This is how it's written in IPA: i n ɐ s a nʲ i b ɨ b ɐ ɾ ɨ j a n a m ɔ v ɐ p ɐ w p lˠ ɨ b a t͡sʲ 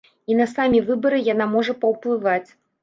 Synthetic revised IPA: i n ɐ s a mʲ i v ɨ b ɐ ɾ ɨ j a n a m ɔ ʐ ɐ p ɐ w p lˠ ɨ v a t͡sʲ

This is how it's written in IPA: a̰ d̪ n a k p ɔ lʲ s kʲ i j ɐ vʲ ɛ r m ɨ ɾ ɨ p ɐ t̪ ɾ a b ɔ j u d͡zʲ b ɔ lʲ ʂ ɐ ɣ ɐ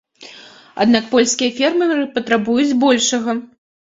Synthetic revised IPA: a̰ d̪ n a k p ɔ lʲ s kʲ i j ɐ fʲ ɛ r m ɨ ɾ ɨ p ɐ t̪ ɾ a b u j u d͡zʲ b ɔ lʲ ʂ ɐ ɣ ɐ

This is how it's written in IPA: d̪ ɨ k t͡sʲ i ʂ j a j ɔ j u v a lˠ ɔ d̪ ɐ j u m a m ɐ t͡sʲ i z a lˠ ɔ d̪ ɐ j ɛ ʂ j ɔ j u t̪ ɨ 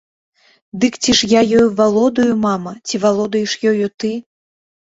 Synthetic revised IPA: d̪ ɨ k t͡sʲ i ʂ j a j ɔ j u v a lˠ ɔ d̪ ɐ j u m a m ɐ t͡sʲ i v a lˠ ɔ d̪ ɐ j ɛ ʂ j ɔ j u t̪ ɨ

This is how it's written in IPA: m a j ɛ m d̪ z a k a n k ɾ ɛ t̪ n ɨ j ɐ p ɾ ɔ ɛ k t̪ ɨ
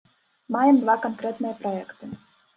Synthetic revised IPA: m a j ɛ m d̪ v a k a n k ɾ ɛ t̪ n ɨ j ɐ p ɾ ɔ ɛ k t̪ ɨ

